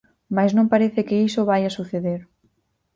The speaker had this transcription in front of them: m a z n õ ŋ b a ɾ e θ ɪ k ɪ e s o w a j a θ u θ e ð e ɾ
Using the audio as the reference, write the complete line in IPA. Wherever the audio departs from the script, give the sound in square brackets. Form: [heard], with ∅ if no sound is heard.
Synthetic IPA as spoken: m a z n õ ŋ [p] a ɾ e θ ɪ k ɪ [i] s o [β] a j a [s] u θ e ð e ɾ